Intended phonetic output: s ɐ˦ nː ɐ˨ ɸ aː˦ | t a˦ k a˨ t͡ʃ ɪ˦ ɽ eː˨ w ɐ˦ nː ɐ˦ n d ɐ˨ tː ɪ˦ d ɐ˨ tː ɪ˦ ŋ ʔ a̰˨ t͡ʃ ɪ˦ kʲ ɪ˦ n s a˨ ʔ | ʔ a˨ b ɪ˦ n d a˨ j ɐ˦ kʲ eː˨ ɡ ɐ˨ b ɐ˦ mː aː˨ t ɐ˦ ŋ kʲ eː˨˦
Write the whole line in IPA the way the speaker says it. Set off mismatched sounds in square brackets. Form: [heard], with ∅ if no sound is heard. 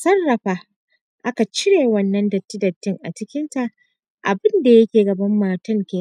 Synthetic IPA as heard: s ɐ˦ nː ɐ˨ ɸ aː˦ | [ʔ] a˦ k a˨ t͡ʃ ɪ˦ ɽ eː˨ w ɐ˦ nː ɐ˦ n d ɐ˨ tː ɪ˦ d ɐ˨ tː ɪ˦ ŋ ʔ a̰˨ t͡ʃ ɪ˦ kʲ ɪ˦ n [t] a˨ ʔ | ʔ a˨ b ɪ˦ n d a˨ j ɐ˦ kʲ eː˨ ɡ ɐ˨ b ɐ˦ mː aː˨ t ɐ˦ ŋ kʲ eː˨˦